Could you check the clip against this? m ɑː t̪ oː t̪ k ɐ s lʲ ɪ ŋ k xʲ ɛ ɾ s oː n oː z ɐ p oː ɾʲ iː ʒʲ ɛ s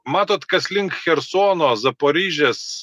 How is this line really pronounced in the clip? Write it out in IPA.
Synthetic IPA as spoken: m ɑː t̪ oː t̪ k ɐ s lʲ ɪ ŋ k xʲ ɛ ɾ s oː n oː z ɐ p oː ɾʲ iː ʒʲ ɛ s